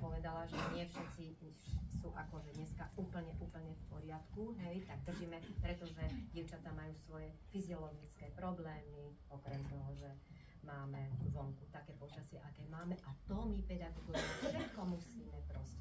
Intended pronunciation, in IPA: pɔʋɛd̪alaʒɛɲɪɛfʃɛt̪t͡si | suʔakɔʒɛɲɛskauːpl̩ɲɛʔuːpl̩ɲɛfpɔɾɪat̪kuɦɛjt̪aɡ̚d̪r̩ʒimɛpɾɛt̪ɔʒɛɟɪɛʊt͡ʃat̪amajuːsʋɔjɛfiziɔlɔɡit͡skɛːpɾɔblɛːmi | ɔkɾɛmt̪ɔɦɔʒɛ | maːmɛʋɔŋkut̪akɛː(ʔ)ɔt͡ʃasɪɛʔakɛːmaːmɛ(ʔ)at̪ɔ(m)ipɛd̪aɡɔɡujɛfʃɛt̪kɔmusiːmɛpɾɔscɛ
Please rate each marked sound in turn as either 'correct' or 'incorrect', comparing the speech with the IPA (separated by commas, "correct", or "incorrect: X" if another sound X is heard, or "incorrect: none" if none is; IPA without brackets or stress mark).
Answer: incorrect: p, correct, correct